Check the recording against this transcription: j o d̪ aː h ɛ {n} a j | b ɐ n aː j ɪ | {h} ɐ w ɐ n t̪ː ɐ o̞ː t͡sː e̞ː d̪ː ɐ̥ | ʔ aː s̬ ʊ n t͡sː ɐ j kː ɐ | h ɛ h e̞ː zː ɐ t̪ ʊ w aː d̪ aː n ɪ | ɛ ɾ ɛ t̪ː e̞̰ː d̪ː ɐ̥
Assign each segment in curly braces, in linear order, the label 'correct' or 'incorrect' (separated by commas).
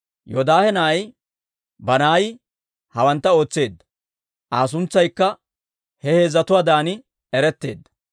correct, correct